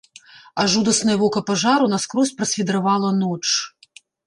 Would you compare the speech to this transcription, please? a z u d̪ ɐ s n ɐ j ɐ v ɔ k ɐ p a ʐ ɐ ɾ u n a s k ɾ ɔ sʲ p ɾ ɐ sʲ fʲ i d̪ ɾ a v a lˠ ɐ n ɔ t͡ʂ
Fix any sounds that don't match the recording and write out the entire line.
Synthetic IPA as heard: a ʐ u d̪ ɐ s n ɐ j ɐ v ɔ k ɐ p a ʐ a ɾ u n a s k ɾ ɔ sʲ p ɾ ɐ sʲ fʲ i d̪ ɾ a v a lˠ ɐ n ɔ t͡ʂ

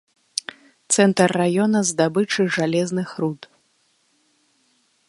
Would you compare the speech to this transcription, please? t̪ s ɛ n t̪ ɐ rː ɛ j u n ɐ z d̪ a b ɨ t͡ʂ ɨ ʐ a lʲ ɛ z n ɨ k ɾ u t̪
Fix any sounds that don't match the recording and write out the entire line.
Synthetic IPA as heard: t̪ s ɛ n t̪ ɐ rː a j ɔ n ɐ z d̪ a b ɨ t͡ʂ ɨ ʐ a lʲ ɛ z n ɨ x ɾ u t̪

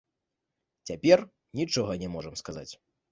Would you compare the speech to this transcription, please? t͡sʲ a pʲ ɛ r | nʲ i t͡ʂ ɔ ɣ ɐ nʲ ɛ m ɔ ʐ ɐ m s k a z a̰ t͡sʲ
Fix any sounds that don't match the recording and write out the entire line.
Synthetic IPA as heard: t͡sʲ a pʲ ɛ r | nʲ i t͡ʂ ɔ ɣ ɐ nʲ ɛ m ɔ ʐ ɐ m s k a z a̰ t͡sʲ

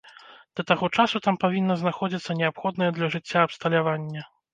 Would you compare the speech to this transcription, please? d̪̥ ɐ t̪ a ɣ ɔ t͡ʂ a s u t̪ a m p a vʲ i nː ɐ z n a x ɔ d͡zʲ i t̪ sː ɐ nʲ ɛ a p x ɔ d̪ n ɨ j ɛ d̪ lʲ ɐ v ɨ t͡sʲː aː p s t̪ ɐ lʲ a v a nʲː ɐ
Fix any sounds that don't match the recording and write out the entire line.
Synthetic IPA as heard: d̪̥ ɐ t̪ a ɣ ɔ t͡ʂ a s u t̪ a m p a vʲ i nː ɐ z n a x ɔ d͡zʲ i t̪ sː ɐ nʲ ɛ a p x ɔ d̪ n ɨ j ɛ d̪ lʲ ɐ ʐ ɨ t͡sʲː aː p s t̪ ɐ lʲ a v a nʲː ɐ

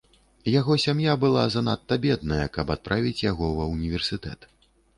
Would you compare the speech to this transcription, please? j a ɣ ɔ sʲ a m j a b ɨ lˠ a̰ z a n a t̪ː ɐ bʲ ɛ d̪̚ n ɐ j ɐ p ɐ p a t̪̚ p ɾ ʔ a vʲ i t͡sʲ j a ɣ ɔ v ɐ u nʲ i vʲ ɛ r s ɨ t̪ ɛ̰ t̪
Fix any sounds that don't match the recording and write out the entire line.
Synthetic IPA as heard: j a ɣ ɔ sʲ a m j a b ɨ lˠ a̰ z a n a t̪ː ɐ bʲ ɛ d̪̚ n ɐ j ɐ k ɐ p a t̪̚ p ɾ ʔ a vʲ i t͡sʲ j a ɣ ɔ v ɐ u nʲ i vʲ ɛ r s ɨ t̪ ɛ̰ t̪

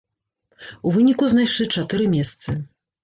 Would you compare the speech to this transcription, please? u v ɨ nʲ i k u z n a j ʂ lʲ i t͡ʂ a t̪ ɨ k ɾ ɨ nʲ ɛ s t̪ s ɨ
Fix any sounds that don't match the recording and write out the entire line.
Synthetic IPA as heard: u v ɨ nʲ i k u z n a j ʂ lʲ i t͡ʂ a t̪ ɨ ɾ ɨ mʲ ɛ s t̪ s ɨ

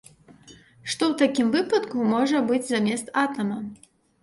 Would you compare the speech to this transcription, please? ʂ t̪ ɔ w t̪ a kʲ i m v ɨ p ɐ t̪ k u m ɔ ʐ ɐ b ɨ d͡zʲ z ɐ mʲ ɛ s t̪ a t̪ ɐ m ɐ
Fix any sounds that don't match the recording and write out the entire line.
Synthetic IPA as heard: ʂ t̪ ɔ w t̪ a kʲ i m v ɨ p ɐ t̪ k u m ɔ ʐ ɐ b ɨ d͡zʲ z a mʲ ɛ s t̪ a t̪ ɐ m ɐ

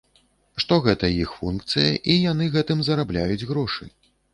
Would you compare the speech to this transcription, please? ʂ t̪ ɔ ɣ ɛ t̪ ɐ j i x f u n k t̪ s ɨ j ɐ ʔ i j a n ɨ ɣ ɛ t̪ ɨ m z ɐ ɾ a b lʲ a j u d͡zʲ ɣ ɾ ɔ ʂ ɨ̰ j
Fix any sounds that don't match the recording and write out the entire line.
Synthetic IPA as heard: ʂ t̪ ɔ ɣ ɛ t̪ ɐ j i x f u n k t̪ s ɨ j ɐ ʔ i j a n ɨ ɣ ɛ t̪ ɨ m z ɐ ɾ a b lʲ a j u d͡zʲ ɣ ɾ ɔ ʂ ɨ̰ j

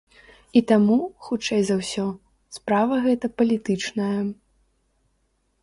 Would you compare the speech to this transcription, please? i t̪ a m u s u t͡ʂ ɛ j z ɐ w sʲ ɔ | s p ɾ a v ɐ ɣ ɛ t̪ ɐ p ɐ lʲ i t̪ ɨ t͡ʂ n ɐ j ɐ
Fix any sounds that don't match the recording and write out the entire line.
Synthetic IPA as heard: i t̪ a m u x u t͡ʂ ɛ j z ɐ w sʲ ɔ | s p ɾ a v ɐ ɣ ɛ t̪ ɐ p ɐ lʲ i t̪ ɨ t͡ʂ n ɐ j ɐ

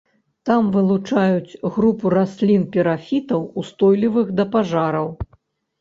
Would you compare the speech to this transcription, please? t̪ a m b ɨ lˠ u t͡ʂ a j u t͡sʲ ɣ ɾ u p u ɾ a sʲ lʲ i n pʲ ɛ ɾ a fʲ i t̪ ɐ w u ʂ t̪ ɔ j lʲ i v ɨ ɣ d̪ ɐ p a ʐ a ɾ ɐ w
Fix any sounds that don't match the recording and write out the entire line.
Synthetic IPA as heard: t̪ a m v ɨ lˠ u t͡ʂ a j u t͡sʲ ɣ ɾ u p u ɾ a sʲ lʲ i n pʲ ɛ ɾ a fʲ i t̪ ɐ w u s t̪ ɔ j lʲ i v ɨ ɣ d̪ ɐ p a ʐ a ɾ ɐ w

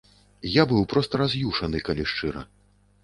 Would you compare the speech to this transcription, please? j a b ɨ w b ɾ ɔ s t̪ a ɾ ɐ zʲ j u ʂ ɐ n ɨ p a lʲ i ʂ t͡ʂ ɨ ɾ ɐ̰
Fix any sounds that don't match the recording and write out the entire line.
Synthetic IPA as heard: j a b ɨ w p ɾ ɔ s t̪ ɐ ɾ a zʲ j u ʂ ɐ n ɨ k a lʲ i ʂ t͡ʂ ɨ ɾ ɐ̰

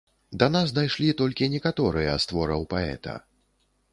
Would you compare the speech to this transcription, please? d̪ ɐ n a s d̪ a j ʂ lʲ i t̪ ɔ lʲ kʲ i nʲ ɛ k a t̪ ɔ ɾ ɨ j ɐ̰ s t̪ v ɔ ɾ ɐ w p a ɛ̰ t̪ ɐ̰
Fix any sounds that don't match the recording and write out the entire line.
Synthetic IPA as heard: d̪ ɐ n a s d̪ a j ʂ lʲ i t̪ ɔ lʲ kʲ i nʲ ɛ k a t̪ ɔ ɾ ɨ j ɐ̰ s t̪ v ɔ ɾ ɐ w p a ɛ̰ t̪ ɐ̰

